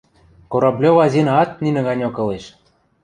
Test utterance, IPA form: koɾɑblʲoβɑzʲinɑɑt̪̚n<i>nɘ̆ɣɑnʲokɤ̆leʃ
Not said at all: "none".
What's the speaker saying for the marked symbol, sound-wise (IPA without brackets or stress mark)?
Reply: i